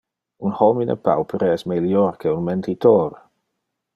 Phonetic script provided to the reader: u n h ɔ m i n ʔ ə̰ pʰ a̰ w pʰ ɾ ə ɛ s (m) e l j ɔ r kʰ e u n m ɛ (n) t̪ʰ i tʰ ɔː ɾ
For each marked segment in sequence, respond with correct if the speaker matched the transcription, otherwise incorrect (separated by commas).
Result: correct, correct